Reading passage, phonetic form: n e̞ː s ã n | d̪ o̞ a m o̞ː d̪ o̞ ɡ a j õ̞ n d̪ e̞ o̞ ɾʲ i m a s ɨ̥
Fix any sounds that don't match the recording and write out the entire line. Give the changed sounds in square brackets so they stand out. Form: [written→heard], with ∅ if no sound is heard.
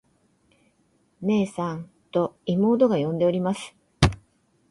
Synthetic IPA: n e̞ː s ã n | [d̪→t̪] o̞ [a→i] m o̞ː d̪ o̞ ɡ a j õ̞ n d̪ e̞ o̞ ɾʲ i m a s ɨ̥